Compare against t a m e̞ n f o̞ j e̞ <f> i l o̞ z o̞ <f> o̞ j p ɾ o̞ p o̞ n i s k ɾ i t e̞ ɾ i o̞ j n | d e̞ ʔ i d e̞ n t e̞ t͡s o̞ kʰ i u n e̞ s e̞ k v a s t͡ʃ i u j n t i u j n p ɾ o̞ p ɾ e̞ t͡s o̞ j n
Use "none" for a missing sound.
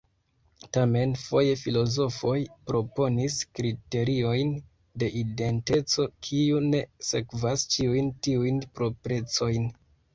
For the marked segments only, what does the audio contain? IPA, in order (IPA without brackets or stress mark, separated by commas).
f, f